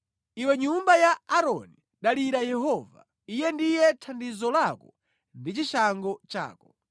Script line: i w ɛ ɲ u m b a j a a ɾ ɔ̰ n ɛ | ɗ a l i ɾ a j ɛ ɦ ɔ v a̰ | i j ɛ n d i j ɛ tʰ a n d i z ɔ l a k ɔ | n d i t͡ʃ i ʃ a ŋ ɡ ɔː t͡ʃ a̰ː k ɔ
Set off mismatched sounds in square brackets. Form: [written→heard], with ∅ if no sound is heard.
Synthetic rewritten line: i w ɛ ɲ u m b a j a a ɾ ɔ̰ n [ɛ→i] | ɗ a l i ɾ a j ɛ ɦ ɔ v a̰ | i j ɛ n d i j ɛ tʰ a n d i z ɔ l a k ɔ | n d i t͡ʃ i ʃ a ŋ ɡ [ɔː→ɔ] t͡ʃ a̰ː k ɔ